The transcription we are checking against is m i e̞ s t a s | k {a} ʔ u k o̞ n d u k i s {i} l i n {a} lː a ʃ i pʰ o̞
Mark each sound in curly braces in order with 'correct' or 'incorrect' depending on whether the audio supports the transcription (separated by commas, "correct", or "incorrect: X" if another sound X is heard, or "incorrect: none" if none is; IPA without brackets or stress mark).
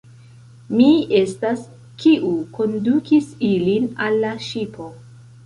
incorrect: i, correct, correct